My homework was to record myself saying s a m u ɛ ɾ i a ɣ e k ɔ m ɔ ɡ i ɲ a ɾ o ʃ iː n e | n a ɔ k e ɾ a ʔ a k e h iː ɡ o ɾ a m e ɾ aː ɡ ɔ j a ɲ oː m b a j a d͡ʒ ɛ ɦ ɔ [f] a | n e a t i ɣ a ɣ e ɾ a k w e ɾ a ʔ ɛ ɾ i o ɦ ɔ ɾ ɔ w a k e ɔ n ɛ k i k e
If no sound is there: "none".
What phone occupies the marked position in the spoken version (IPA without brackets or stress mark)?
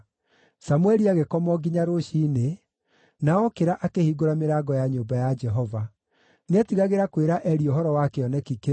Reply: v